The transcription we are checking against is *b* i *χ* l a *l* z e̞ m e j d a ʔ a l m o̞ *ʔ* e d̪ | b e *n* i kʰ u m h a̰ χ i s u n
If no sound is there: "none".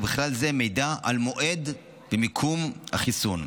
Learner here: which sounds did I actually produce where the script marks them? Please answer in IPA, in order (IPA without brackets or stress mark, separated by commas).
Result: b, χ, l, ʔ, m